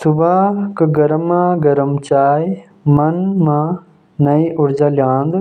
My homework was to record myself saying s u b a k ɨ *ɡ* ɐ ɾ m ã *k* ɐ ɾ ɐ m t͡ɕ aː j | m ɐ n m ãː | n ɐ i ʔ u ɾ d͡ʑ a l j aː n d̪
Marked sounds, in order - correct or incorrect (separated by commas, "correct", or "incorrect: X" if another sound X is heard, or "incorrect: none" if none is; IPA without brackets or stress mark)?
correct, incorrect: ɡ